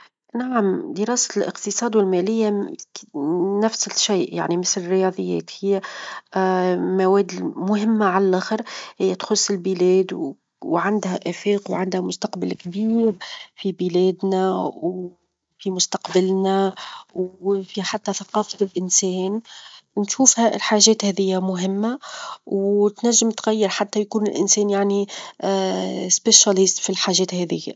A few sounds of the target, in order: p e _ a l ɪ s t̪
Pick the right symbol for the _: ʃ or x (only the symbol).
ʃ